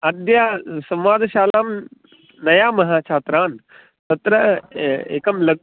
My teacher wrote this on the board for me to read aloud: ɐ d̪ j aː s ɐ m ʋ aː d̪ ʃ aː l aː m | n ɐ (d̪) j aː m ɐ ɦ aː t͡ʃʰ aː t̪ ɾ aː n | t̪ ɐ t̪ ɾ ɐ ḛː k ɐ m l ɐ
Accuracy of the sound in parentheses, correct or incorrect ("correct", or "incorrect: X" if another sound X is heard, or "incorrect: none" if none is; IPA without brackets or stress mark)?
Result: incorrect: none